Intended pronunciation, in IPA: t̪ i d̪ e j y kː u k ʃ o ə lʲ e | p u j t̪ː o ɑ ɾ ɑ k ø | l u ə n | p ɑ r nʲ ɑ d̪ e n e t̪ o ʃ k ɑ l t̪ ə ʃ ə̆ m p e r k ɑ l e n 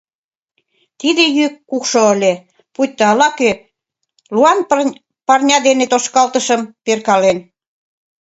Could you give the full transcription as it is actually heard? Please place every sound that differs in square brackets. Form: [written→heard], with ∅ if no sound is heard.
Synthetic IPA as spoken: t̪ i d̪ e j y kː u k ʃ o ə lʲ e | p u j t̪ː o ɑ [ɾ→l] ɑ k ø | l u [ə→ɑ] n | p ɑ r nʲ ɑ d̪ e n e t̪ o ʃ k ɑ l t̪ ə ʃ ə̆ m p e r k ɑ l e n